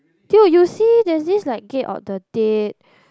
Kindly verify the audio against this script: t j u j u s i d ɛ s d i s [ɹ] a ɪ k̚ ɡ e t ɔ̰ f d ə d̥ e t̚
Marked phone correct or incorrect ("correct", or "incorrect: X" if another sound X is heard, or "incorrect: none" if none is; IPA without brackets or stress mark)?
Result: incorrect: l